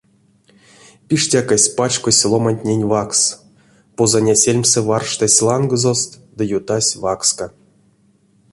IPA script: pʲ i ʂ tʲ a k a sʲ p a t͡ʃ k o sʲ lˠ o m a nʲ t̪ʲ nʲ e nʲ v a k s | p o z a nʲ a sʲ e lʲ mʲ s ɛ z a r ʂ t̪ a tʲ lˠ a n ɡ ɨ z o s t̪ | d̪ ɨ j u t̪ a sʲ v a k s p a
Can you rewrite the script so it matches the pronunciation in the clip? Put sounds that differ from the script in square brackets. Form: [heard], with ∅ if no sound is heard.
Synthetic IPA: pʲ i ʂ tʲ a k a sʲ p a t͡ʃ k o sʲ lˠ o m a nʲ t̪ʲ nʲ e nʲ v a k s | p o z a nʲ a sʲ e lʲ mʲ s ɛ [v] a r ʂ t̪ a [sʲ] lˠ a n ɡ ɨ z o s t̪ | d̪ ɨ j u t̪ a sʲ v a k s [k] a